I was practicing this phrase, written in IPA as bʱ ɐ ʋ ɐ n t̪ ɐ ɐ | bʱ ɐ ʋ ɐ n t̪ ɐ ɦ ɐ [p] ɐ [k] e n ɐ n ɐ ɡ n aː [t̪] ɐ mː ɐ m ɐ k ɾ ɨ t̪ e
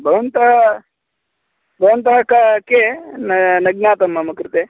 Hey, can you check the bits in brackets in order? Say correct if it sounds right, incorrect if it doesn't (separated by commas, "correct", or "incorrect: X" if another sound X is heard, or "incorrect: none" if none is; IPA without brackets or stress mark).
incorrect: k, correct, correct